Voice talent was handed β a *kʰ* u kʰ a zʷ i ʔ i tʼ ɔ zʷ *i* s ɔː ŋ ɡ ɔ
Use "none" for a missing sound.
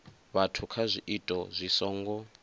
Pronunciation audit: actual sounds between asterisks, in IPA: tʰ, i

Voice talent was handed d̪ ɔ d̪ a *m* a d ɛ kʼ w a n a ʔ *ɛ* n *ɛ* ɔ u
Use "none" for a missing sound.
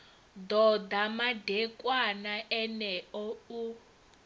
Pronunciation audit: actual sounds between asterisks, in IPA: m, ɛ, ɛ

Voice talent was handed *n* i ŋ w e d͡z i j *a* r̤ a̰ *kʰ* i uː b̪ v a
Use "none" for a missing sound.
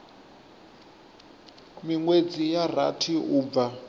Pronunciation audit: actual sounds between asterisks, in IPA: m, a, tʰ

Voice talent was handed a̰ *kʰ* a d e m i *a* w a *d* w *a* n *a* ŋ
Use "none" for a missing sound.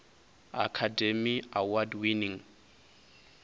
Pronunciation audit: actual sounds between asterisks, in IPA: kʰ, a, d, i, i

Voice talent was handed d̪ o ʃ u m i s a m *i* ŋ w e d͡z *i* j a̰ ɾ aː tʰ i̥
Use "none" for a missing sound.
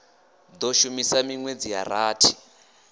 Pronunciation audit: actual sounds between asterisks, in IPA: i, i

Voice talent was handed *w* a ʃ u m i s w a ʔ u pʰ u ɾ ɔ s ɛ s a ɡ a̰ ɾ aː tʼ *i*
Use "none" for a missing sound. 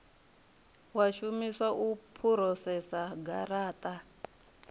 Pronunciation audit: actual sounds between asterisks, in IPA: w, a

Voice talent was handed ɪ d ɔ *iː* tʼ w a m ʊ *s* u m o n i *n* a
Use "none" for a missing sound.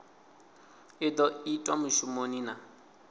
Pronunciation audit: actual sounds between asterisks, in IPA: i, ʃ, n

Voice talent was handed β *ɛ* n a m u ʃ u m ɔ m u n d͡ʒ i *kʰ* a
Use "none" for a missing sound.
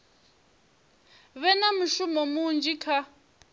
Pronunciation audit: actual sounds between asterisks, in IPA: ɛ, kʰ

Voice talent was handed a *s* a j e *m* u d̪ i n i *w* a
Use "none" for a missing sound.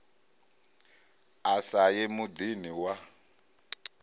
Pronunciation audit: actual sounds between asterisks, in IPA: s, m, w

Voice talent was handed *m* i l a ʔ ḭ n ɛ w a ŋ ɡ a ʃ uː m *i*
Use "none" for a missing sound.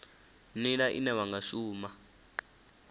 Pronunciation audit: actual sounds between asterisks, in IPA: n, a

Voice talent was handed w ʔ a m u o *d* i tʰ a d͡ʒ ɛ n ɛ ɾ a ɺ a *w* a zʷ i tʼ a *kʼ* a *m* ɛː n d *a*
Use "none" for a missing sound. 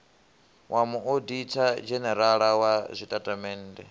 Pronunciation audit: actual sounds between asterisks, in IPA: d, w, tʼ, m, ɛ

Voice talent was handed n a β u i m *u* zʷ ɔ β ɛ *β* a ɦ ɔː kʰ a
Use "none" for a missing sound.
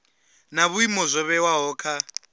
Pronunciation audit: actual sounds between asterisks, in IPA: ɔ, w

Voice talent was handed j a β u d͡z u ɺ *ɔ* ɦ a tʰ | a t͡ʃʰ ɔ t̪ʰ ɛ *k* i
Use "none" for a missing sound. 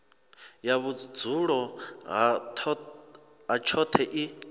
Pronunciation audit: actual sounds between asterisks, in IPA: ɔ, ʔ

